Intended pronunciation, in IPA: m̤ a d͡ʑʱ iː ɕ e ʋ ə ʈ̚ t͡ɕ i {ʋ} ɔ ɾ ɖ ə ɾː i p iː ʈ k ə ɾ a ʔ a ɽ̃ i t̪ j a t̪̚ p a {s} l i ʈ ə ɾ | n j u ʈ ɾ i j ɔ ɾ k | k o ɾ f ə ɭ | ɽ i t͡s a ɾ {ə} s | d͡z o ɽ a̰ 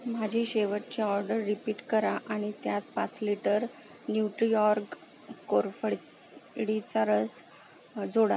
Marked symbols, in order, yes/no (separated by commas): no, no, yes